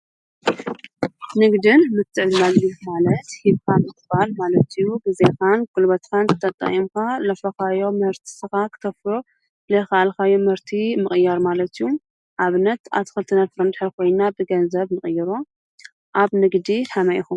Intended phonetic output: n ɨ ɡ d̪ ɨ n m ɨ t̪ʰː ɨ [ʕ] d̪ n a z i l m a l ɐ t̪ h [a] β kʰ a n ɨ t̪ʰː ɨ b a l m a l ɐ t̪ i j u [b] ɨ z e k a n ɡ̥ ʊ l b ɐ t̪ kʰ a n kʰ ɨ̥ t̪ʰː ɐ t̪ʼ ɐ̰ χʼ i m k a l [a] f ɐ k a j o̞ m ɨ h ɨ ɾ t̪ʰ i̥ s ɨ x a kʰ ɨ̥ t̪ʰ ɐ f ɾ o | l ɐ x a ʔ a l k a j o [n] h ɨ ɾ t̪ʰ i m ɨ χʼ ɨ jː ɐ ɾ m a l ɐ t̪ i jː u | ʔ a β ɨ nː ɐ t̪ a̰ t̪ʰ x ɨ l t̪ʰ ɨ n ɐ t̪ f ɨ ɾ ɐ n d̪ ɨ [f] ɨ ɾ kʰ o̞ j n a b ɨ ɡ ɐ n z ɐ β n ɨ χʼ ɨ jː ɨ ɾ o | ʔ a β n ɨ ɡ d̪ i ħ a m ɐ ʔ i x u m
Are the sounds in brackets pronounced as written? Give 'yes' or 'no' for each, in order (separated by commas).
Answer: yes, no, no, no, no, no